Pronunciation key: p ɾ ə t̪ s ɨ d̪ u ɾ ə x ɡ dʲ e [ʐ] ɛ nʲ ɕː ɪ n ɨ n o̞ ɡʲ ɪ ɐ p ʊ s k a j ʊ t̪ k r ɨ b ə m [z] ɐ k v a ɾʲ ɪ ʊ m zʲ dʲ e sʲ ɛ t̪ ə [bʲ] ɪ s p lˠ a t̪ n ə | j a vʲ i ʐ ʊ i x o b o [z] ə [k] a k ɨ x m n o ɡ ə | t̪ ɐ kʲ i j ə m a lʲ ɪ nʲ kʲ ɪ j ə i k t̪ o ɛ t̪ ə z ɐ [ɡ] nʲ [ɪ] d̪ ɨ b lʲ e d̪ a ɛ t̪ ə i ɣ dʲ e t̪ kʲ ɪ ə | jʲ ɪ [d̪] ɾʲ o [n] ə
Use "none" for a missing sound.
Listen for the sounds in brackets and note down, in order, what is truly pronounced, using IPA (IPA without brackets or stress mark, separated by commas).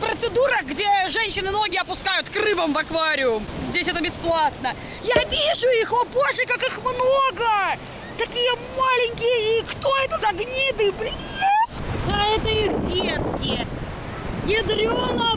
ʐ, v, bʲ, ʐ, k, ɡ, i, d̪, n